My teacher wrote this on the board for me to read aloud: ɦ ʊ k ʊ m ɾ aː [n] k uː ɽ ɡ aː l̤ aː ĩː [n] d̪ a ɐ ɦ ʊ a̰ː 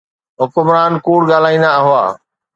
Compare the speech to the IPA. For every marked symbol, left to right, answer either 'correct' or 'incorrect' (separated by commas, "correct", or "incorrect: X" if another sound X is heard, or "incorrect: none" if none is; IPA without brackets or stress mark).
correct, correct